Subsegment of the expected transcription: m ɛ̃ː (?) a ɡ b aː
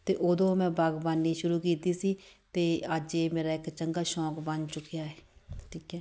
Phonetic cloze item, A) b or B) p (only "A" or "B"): A